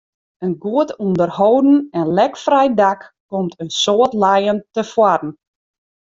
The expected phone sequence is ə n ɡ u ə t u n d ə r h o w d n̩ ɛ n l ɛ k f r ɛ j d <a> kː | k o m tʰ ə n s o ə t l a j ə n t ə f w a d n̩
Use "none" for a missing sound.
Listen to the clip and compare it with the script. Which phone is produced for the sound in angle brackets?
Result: a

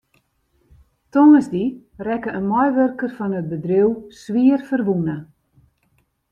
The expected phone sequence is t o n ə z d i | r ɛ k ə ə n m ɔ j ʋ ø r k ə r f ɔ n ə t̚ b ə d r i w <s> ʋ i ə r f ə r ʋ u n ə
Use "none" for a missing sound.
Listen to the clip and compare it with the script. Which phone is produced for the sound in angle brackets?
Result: s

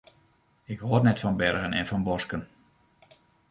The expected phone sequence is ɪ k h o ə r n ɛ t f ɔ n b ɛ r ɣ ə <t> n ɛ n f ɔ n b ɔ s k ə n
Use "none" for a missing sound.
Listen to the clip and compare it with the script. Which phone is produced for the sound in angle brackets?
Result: none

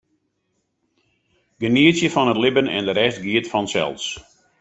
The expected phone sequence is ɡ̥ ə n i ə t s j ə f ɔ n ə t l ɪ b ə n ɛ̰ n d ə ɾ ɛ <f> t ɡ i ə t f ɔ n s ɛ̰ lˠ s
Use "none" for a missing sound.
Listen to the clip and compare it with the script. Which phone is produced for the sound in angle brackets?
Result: s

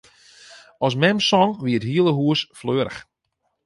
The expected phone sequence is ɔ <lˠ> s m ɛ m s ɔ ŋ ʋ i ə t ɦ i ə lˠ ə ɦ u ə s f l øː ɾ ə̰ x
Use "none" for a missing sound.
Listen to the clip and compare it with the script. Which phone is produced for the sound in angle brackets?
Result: none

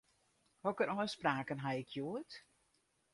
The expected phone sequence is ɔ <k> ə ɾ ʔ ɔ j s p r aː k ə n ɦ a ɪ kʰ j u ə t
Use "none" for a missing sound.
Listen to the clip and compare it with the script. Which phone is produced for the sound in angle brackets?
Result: k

